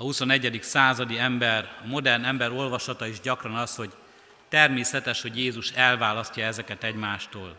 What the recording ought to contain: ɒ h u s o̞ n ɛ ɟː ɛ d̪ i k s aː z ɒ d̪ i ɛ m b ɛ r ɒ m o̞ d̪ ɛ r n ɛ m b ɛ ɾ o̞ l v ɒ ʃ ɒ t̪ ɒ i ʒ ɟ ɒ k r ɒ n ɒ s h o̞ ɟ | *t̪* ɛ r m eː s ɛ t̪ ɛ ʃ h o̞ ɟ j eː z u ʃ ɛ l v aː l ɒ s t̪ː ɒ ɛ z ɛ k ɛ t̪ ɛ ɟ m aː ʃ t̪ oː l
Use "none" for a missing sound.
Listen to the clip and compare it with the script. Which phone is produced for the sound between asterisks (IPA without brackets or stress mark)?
t̪